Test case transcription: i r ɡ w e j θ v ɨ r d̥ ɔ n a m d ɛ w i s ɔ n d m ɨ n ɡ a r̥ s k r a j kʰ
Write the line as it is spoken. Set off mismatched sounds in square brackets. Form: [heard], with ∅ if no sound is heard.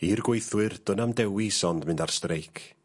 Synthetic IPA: i r ɡ w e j θ [w] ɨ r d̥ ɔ n a m d ɛ w i s ɔ n d m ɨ n [d] a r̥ s [t] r [e] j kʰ